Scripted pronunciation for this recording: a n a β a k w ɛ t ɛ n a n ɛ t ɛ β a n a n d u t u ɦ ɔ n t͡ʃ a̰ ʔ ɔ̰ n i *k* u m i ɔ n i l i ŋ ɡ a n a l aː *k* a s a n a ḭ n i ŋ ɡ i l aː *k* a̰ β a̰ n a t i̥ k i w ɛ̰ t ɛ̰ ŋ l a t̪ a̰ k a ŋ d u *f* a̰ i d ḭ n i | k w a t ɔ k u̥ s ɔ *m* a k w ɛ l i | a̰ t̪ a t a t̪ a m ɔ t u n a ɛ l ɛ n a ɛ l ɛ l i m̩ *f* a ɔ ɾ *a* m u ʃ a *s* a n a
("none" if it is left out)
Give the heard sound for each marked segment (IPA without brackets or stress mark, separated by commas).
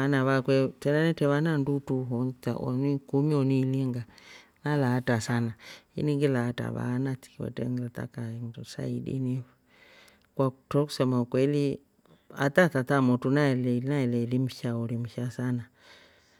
k, t, t, s, m, ʃ, i, s